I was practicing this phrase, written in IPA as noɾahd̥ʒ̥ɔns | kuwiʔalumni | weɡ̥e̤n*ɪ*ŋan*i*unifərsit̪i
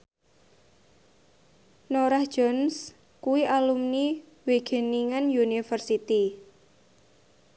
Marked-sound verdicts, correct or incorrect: incorrect: i, incorrect: j

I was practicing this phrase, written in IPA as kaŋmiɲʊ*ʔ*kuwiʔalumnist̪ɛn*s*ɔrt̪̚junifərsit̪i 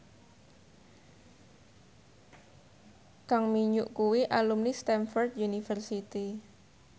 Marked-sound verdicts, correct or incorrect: correct, incorrect: f

